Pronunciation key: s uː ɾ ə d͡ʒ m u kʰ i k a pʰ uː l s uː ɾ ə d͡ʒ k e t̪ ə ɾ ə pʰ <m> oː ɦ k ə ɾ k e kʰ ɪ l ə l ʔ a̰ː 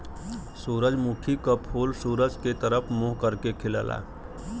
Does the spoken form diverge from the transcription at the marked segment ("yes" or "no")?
no